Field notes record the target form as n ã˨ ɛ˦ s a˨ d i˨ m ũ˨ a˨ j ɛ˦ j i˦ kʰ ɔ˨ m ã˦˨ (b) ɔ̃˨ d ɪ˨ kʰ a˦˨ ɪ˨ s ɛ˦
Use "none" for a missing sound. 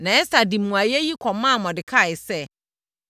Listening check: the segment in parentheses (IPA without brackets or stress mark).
m